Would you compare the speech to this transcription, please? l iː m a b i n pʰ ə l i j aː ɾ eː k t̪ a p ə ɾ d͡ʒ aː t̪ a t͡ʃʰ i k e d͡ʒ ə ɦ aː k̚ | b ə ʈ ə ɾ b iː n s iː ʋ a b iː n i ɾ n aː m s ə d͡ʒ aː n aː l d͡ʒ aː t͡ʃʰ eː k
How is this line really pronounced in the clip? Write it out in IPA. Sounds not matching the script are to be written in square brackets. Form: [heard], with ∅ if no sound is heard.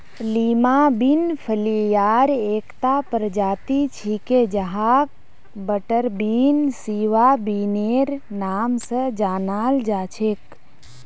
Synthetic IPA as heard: l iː m a b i n pʰ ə l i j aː ɾ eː k t̪ a p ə ɾ d͡ʒ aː t̪ [i] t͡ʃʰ i k e d͡ʒ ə ɦ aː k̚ | b ə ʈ ə ɾ b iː n s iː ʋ a b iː n [e] ɾ n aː m s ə d͡ʒ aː n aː l d͡ʒ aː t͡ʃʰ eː k